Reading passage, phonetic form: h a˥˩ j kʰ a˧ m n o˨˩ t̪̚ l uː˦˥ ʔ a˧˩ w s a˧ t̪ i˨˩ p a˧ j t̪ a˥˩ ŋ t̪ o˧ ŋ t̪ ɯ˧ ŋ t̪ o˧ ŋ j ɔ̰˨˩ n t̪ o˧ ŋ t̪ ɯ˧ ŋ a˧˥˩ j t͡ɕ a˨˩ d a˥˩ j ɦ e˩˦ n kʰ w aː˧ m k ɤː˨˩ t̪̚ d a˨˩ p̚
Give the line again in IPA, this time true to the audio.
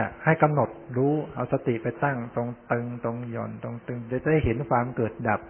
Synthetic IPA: h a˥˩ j k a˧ m n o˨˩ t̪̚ ɾ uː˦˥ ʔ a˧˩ w s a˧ t̪ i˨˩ p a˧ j t̪ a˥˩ ŋ t̪ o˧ ŋ t̪ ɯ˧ ŋ t̪ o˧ ŋ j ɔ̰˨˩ n t̪ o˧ ŋ t̪ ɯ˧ ŋ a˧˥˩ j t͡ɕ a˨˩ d a˥˩ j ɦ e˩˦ n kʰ w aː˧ m k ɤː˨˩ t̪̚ d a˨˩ p̚